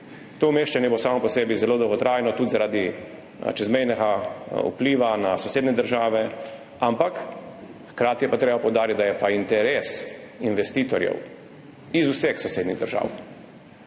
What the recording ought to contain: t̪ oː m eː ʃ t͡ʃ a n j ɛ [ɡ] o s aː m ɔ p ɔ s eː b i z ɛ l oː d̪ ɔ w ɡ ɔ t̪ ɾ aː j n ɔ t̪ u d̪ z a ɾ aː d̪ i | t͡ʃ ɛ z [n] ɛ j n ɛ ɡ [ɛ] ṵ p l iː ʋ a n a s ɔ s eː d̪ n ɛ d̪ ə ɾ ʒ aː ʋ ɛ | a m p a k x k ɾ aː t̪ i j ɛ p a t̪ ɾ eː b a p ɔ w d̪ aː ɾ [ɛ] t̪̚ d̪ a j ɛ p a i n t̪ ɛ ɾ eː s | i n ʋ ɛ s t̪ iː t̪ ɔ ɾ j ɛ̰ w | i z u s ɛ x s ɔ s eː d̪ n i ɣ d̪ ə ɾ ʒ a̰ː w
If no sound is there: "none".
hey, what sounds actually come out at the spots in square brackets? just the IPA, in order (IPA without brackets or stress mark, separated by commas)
b, m, a, i